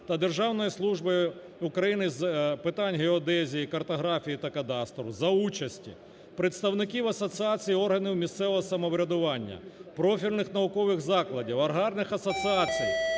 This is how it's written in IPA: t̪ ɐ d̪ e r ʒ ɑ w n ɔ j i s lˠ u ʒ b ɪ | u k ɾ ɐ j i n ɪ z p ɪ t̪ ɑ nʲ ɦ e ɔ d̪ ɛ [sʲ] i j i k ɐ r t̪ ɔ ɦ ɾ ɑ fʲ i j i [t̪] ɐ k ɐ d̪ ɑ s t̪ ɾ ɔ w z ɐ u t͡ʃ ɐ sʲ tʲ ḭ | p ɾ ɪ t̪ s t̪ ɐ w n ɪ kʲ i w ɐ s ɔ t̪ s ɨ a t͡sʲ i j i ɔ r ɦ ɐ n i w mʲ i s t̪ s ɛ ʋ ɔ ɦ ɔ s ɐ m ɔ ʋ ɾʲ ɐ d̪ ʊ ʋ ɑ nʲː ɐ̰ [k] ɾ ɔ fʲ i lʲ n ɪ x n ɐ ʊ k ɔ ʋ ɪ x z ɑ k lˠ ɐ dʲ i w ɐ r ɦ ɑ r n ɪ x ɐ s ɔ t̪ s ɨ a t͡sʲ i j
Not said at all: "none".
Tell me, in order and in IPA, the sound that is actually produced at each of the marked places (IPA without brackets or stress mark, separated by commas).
zʲ, t̪, p